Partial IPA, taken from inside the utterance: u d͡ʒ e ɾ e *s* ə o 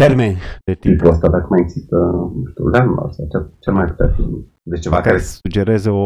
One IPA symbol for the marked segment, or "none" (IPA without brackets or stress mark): z